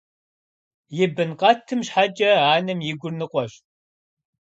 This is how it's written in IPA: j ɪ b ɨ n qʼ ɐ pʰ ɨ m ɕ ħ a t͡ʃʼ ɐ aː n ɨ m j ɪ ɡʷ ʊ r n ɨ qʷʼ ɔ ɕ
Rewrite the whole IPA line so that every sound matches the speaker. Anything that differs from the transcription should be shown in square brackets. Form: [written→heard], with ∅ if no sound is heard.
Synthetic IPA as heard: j ɪ b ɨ n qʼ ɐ [pʰ→tʰ] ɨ m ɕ ħ a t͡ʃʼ ɐ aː n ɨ m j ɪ ɡʷ ʊ r n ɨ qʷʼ ɔ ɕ